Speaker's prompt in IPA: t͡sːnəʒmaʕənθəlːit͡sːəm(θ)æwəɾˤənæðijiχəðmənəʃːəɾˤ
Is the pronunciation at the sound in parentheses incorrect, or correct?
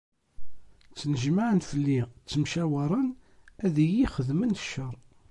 incorrect